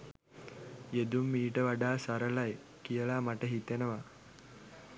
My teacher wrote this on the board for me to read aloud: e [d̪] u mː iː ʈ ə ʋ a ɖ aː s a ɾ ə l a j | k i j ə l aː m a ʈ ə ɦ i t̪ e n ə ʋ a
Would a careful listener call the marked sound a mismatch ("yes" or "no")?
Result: no